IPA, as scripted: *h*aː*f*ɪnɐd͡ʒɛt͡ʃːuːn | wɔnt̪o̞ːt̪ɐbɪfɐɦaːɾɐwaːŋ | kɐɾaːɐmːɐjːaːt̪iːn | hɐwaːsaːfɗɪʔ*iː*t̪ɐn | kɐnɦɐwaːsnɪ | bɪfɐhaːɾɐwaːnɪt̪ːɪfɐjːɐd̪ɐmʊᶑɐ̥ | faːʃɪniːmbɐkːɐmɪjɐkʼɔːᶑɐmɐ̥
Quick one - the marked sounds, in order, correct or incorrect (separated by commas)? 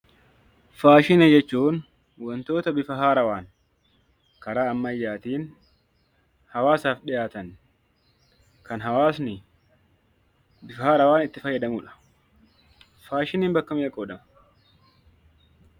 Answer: incorrect, incorrect, incorrect